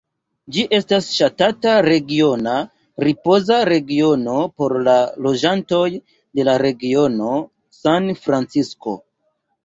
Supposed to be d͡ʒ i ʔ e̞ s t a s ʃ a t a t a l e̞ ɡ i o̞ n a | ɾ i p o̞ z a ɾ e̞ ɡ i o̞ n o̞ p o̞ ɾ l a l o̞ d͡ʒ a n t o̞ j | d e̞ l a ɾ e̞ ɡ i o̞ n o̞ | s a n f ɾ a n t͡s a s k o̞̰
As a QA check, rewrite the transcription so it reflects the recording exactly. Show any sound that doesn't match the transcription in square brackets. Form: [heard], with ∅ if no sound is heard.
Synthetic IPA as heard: d͡ʒ i ʔ e̞ s t a s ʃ a t a t a [ɾ] e̞ ɡ i o̞ n a | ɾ i p o̞ z a ɾ e̞ ɡ i o̞ n o̞ p o̞ ɾ l a l o̞ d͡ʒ a n t o̞ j | d e̞ l a ɾ e̞ ɡ i o̞ n o̞ | s a n f ɾ a n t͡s [i] s k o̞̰